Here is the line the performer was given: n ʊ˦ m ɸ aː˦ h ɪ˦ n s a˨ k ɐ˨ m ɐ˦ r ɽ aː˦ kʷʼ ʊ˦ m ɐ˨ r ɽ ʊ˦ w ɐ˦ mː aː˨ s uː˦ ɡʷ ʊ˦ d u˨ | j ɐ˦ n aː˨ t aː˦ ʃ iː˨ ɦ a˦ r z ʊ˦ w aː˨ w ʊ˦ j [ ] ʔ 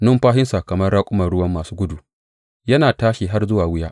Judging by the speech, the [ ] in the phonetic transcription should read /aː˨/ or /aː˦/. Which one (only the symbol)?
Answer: aː˦